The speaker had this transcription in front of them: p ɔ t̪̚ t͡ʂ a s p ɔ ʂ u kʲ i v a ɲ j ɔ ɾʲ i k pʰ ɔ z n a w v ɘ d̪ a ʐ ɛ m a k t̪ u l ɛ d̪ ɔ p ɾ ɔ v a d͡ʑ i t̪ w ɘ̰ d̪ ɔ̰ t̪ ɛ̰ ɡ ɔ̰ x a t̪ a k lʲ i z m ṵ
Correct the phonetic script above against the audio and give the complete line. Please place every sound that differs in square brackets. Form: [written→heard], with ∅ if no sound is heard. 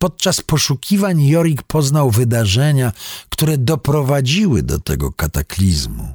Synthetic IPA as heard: p ɔ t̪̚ t͡ʂ a s p ɔ ʂ u kʲ i v a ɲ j ɔ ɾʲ i k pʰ ɔ z n a w v ɘ d̪ a ʐ ɛ [m→ɲ] a k t̪ u [l→ɾ] ɛ d̪ ɔ p ɾ ɔ v a d͡ʑ i [t̪→∅] w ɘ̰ d̪ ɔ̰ t̪ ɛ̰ ɡ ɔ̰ [x→k] a t̪ a k lʲ i z m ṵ